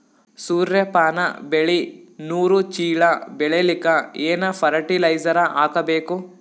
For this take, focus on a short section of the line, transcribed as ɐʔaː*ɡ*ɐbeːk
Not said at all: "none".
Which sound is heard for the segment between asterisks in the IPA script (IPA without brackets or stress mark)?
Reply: k